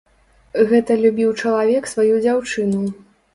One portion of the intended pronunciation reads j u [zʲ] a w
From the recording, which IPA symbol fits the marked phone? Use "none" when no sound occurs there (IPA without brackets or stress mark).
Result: d͡zʲ